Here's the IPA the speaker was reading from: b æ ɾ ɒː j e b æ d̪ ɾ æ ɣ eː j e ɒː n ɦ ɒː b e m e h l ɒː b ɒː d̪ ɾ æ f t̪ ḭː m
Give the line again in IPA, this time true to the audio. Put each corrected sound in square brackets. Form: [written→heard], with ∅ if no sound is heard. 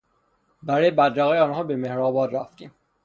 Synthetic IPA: b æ ɾ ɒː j e b æ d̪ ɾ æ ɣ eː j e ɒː n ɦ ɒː b e m e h [l→ɾ] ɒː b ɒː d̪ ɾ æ f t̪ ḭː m